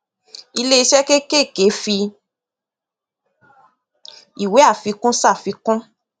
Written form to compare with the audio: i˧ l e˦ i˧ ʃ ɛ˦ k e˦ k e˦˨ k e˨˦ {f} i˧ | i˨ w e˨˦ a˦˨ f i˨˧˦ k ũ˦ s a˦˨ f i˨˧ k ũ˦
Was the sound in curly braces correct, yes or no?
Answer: yes